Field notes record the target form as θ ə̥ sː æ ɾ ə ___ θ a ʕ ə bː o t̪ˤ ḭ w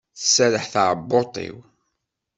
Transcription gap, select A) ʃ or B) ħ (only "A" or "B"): B